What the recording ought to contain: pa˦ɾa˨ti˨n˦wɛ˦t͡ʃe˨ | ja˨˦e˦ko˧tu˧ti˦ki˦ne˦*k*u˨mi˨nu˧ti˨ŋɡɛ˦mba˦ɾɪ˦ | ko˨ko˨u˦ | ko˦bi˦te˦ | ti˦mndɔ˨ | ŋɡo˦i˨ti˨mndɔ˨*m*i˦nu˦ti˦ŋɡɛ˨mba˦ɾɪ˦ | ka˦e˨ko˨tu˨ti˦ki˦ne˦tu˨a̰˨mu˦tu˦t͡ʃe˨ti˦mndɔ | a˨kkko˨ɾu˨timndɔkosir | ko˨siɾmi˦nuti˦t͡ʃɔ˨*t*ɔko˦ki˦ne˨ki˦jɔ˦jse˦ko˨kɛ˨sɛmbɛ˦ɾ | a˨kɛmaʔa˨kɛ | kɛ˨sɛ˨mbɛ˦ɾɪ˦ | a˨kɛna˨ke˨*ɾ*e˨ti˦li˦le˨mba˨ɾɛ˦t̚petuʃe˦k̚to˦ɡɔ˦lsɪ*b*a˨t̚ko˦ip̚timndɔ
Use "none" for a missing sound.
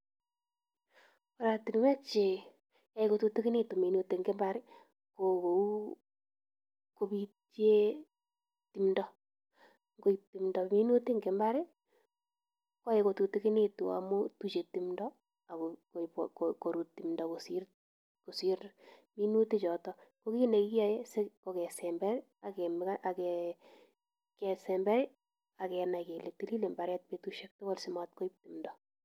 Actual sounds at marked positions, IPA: t, m, t, l, m

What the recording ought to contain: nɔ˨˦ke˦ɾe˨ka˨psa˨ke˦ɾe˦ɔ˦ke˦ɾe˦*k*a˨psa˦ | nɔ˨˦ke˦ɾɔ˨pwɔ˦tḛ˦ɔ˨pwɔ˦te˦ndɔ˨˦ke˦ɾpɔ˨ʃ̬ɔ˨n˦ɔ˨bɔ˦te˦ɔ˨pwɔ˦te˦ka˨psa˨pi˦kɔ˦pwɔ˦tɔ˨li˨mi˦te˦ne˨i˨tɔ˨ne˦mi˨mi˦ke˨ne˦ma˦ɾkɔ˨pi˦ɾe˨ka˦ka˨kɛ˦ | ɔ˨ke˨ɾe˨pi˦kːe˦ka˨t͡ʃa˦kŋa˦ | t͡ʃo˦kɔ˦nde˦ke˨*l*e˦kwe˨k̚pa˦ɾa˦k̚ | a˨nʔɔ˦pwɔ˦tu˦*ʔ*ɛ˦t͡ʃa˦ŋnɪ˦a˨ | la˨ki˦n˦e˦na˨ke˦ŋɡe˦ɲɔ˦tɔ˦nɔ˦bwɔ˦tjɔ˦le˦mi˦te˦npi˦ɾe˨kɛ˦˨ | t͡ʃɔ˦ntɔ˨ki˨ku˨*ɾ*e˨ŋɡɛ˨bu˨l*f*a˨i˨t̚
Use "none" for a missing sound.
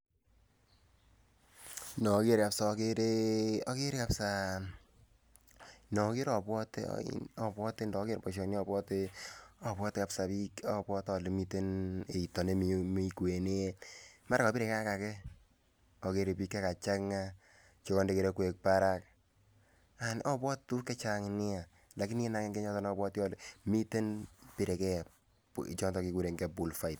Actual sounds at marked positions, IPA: k, ɾ, k, ɾ, f

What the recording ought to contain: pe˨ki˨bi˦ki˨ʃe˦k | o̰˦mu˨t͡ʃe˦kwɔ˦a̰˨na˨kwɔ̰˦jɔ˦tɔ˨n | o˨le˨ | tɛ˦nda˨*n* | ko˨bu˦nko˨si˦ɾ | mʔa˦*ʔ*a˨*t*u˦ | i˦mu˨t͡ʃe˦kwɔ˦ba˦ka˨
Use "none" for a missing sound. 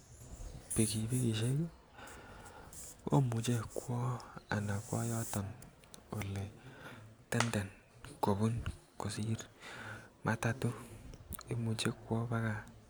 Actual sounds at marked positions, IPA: n, t, t

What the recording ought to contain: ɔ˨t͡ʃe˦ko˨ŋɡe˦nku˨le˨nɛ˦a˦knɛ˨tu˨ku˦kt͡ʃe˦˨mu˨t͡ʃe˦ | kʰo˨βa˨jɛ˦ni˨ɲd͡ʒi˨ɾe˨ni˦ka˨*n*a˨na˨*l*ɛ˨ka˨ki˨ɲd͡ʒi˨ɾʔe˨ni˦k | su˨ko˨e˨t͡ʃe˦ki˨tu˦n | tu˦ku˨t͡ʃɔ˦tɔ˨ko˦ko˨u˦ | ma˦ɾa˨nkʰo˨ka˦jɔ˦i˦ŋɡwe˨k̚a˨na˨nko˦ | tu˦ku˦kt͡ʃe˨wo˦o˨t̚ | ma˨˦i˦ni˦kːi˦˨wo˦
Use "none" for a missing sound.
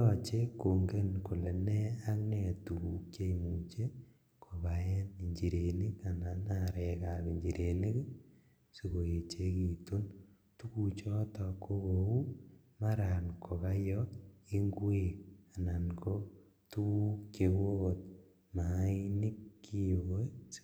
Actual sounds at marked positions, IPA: n, ɾ

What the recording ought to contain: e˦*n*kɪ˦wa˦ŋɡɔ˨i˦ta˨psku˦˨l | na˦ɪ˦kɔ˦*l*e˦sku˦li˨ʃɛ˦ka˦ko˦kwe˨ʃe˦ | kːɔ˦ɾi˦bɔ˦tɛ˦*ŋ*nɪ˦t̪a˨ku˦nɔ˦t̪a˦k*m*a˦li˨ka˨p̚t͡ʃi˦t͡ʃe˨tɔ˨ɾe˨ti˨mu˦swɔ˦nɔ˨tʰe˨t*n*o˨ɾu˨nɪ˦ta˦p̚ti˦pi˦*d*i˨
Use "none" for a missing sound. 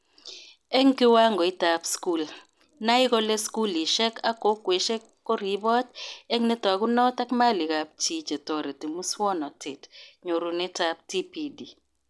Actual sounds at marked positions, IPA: ŋ, l, ŋ, m, ɲ, d

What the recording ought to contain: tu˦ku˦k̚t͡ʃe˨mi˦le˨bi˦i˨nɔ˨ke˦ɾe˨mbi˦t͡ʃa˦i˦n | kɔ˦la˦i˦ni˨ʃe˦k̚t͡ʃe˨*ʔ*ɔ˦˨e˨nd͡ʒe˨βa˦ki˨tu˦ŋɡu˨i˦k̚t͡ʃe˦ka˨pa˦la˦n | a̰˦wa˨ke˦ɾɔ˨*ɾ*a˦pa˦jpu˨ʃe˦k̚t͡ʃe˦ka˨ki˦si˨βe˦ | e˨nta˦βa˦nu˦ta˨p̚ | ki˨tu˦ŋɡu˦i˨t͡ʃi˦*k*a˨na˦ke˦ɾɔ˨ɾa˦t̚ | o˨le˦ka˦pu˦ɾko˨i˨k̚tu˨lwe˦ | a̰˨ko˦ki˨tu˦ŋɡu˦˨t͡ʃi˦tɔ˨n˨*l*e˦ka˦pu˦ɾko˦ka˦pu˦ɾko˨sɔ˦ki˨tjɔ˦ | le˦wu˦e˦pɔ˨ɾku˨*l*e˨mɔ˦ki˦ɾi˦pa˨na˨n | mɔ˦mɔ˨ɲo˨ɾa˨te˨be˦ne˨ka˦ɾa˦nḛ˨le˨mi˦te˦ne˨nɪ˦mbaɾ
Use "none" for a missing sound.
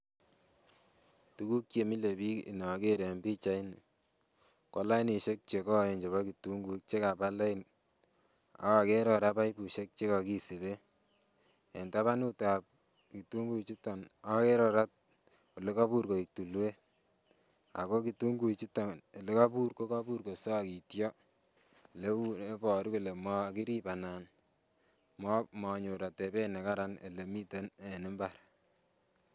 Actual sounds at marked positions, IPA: k, ɾ, t, l, l

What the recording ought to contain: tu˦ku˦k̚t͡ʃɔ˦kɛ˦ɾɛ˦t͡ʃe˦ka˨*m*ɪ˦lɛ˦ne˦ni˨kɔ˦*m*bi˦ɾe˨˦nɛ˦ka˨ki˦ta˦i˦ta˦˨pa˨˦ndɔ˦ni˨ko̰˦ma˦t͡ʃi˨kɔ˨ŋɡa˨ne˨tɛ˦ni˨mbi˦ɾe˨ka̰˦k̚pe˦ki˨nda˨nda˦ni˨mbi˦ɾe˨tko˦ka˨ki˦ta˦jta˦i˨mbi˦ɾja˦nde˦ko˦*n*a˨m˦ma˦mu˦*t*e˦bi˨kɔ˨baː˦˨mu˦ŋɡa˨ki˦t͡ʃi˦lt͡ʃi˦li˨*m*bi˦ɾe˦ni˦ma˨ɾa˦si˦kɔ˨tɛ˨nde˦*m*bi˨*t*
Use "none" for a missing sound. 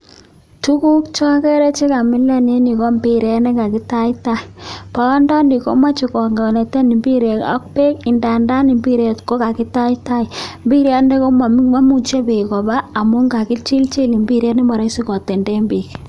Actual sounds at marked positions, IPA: m, m, m, t͡ʃ, m, m, k

